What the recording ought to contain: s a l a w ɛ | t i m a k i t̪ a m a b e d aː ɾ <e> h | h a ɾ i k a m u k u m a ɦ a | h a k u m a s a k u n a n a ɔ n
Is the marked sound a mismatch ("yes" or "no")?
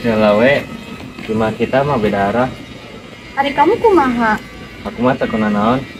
yes